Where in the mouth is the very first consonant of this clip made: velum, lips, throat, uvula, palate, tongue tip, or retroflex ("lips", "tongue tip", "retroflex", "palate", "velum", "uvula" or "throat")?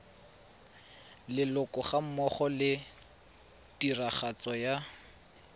tongue tip